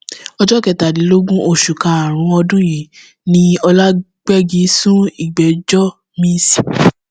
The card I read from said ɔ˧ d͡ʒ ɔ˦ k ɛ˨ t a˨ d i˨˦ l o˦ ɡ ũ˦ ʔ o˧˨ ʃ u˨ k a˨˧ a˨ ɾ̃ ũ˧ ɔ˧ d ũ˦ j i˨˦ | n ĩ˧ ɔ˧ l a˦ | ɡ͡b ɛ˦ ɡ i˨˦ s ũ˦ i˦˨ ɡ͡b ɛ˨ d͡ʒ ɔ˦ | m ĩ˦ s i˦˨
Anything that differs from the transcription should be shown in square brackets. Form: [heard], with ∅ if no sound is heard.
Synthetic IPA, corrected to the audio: ɔ˧ d͡ʒ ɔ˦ k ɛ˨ t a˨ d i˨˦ l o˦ ɡ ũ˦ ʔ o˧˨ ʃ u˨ k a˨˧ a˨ ɾ̃ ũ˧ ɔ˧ d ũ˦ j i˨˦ | n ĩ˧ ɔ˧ l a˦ | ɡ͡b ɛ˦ ɡ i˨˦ s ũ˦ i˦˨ ɡ͡b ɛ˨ d͡ʒ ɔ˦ | m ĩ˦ s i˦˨

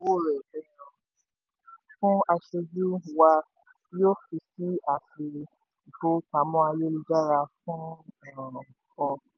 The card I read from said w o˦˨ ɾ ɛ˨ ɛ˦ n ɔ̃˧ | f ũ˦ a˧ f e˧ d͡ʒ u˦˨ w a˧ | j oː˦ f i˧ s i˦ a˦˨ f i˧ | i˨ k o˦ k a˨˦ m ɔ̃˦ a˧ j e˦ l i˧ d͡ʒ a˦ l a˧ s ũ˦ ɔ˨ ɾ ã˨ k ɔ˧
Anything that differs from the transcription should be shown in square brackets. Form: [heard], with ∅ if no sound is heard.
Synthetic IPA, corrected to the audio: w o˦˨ ɾ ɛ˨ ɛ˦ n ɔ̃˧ | f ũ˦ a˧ [ʃ] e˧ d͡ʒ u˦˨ w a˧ | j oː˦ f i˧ s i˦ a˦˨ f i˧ | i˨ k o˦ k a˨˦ m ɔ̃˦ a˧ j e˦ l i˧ d͡ʒ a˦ [ɾ] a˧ [f] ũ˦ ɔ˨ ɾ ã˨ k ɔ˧

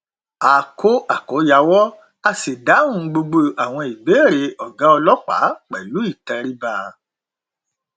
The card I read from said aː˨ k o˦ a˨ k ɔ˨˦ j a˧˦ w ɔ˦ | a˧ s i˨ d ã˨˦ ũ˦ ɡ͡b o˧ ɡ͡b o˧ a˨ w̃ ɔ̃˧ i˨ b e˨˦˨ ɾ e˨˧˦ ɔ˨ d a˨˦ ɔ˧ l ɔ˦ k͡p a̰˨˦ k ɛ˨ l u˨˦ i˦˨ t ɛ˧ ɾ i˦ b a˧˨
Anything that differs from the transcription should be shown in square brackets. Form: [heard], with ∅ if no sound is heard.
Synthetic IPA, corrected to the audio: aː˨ k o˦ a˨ k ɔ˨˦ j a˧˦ w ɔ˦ | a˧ s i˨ d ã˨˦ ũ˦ ɡ͡b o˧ ɡ͡b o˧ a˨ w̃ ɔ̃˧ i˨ b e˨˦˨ ɾ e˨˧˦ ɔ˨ [ɡ] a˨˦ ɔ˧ l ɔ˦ k͡p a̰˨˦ [k͡p] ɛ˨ l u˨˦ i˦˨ t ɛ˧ ɾ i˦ b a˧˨

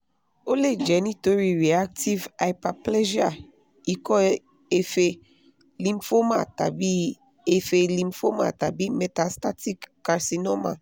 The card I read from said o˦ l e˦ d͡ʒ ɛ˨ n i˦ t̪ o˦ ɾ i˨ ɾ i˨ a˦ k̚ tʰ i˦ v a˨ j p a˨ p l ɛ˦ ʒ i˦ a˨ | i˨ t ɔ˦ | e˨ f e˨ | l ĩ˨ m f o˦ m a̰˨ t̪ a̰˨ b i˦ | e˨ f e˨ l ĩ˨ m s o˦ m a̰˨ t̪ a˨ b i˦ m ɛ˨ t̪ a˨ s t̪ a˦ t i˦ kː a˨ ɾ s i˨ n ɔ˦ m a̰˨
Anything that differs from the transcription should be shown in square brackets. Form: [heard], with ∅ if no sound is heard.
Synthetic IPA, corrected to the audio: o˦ l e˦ d͡ʒ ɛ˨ n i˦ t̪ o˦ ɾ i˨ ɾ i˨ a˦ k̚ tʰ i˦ v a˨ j p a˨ p l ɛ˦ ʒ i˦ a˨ | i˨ [k] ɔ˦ | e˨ f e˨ | l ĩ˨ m f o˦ m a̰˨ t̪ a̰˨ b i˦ | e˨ f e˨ l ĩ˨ m [f] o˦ m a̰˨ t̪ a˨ b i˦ m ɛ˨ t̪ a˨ s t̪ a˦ t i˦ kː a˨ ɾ s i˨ n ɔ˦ m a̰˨

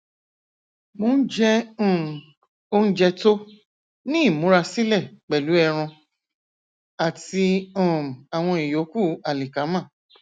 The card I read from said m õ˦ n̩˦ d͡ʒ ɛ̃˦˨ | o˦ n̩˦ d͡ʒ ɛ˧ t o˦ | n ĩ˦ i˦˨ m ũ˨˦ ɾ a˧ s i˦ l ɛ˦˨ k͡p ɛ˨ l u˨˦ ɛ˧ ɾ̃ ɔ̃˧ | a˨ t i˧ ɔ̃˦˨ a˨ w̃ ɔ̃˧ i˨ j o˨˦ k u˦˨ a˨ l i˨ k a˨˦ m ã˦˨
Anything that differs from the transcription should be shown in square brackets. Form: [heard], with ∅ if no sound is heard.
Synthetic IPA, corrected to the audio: m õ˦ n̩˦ d͡ʒ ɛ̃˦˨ | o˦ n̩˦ d͡ʒ ɛ˧ t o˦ | n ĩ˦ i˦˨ m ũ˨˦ ɾ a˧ s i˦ l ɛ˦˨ k͡p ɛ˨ l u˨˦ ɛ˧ ɾ̃ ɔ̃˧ | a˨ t i˧ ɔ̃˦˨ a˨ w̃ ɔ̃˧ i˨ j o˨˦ k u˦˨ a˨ l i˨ k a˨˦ m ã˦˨

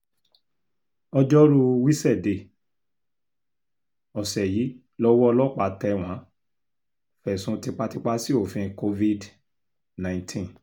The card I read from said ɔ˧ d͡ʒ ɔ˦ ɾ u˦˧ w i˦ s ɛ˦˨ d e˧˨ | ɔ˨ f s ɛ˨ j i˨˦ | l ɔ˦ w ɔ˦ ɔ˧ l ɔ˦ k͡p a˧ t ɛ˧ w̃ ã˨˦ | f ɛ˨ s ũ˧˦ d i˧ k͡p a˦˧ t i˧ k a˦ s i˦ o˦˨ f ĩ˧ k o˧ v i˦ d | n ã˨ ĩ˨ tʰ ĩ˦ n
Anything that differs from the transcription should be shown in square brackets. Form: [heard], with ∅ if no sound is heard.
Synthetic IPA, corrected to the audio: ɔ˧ d͡ʒ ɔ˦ ɾ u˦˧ w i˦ s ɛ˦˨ d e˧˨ | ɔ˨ [∅] s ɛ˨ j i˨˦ | l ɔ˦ w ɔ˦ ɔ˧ l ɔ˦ k͡p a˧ t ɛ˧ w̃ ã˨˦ | f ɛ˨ s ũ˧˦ [t] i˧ k͡p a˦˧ t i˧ [k͡p] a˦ s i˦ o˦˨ f ĩ˧ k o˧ v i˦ d | n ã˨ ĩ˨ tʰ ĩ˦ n

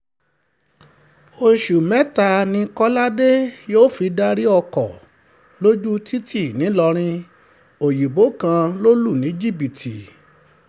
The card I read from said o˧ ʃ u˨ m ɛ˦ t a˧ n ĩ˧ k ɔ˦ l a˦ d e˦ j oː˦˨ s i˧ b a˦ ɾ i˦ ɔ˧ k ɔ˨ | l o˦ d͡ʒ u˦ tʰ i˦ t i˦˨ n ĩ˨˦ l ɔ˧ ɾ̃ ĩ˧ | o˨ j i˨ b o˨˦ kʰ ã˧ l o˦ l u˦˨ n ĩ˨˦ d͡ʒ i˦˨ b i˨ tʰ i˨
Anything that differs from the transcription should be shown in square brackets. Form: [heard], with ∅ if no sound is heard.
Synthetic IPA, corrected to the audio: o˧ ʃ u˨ m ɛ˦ t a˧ n ĩ˧ k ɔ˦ l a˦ d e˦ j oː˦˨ [f] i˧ [d] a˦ ɾ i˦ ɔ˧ k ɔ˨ | l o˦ d͡ʒ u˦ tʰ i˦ t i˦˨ n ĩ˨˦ l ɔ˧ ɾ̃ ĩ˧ | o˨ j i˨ b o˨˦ [k] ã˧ l o˦ l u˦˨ n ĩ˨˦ d͡ʒ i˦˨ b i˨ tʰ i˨

